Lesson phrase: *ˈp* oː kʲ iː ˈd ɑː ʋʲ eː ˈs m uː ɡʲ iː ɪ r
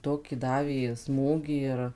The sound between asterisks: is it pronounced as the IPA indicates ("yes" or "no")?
no